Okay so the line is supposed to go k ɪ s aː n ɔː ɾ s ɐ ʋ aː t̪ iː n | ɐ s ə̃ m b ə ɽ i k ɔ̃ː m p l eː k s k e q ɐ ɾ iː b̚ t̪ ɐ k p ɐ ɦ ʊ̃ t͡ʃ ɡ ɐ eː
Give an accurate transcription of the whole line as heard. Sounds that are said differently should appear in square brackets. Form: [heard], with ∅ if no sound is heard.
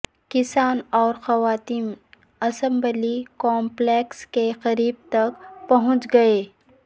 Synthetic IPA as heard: k ɪ s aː n ɔː ɾ [x] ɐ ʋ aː t̪ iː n | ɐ s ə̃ m b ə [l] i k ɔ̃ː m p l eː k s k e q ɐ ɾ iː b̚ t̪ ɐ k p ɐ ɦ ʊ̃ t͡ʃ ɡ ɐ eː